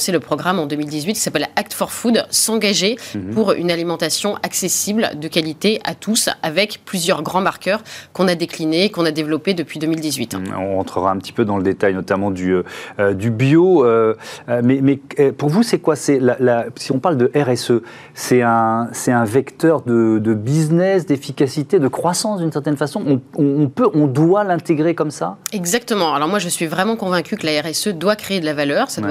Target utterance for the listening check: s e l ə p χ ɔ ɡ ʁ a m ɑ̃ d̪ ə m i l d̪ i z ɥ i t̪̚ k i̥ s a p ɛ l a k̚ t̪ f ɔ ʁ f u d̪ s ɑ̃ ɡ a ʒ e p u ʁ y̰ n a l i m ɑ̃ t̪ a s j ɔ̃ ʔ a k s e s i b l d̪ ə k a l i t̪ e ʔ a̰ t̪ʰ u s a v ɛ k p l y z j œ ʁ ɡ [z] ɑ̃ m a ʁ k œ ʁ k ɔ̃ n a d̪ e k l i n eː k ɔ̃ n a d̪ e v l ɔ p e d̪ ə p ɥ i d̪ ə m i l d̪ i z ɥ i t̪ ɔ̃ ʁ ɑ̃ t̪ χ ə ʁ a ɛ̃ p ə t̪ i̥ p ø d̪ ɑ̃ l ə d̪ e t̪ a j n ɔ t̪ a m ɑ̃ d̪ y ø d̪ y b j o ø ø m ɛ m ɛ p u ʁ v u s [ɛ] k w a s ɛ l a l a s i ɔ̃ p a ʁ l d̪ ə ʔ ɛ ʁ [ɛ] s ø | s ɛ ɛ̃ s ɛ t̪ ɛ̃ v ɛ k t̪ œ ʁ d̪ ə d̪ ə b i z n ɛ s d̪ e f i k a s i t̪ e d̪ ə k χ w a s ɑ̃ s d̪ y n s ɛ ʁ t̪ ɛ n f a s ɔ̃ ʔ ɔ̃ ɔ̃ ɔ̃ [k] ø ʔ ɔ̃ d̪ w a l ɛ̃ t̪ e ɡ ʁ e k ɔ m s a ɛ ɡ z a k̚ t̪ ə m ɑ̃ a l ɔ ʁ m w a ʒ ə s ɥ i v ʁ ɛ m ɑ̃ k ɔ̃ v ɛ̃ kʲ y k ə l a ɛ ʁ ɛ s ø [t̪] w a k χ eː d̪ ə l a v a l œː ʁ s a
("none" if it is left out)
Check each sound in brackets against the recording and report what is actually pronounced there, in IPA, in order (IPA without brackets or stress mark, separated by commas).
ʁ, ɛ, ɛ, p, d̪